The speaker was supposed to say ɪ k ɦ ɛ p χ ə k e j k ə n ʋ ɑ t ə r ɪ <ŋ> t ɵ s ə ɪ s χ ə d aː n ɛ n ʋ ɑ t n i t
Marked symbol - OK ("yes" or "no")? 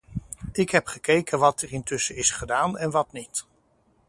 no